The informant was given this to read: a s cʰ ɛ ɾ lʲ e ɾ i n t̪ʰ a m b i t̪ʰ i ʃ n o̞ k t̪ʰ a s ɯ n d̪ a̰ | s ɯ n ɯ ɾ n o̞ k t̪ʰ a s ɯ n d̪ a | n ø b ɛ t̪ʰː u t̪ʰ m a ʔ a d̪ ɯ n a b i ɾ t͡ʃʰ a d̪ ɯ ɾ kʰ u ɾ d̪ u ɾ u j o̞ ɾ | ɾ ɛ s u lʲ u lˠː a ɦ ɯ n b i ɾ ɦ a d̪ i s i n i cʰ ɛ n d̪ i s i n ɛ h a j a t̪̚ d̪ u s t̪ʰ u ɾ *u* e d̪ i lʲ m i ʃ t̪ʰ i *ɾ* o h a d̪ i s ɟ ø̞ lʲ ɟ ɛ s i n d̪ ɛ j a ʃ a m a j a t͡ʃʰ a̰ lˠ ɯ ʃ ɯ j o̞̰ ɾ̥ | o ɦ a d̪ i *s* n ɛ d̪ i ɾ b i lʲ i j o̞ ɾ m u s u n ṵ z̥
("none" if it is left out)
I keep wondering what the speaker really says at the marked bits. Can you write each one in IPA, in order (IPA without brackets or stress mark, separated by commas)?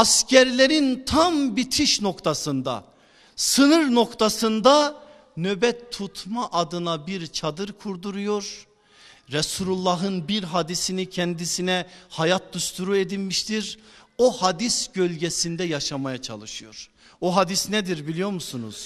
u, ɾ, s